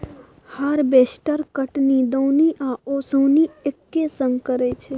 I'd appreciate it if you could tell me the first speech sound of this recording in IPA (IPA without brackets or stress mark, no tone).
h